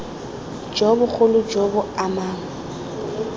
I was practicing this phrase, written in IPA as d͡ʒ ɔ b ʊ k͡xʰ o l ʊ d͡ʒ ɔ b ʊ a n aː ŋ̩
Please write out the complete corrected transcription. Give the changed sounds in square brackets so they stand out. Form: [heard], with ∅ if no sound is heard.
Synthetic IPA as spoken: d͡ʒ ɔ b ʊ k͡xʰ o l ʊ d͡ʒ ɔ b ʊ a [m] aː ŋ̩